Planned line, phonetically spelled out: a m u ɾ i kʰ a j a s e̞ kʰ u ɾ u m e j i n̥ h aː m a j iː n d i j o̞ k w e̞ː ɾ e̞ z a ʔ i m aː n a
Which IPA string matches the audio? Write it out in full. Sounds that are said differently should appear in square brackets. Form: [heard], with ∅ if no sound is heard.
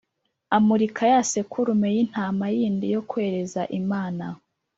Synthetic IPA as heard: a m u ɾ i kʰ a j a s e̞ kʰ u ɾ u m e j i n̥ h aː m a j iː n d i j o̞ k w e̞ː ɾ e̞ z a ʔ i m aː n a